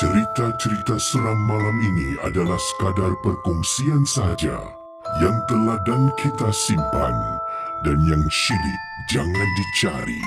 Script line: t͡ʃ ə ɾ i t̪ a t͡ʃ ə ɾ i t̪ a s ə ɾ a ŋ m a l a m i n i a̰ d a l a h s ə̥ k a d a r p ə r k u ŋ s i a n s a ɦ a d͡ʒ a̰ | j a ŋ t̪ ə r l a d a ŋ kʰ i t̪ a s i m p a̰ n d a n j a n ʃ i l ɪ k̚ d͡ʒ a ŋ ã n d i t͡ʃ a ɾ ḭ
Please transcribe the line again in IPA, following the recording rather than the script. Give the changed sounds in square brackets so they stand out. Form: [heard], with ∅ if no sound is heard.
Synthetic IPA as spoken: t͡ʃ ə ɾ i t̪ a t͡ʃ ə ɾ i t̪ a s ə ɾ a ŋ m a l a m i n i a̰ d a l a h s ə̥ k a d a r p ə r k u ŋ s i a n s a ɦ a d͡ʒ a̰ | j a ŋ t̪ ə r l a d a ŋ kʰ i t̪ a s i m p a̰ n d a n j a [ŋ] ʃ i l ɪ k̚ d͡ʒ a ŋ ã n d i t͡ʃ a ɾ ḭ